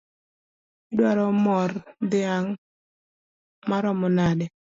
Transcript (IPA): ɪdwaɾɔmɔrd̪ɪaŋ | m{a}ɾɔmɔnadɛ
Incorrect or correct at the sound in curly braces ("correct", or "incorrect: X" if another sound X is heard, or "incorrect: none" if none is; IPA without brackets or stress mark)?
correct